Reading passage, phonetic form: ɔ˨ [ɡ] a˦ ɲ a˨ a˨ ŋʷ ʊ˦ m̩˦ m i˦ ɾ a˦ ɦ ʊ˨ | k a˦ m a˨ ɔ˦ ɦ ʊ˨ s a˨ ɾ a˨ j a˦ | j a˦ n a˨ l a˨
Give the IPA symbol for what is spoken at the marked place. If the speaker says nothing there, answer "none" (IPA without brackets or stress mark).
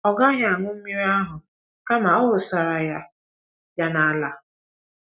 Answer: ɡ